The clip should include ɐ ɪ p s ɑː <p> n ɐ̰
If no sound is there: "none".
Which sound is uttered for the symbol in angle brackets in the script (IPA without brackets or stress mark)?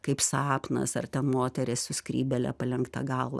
p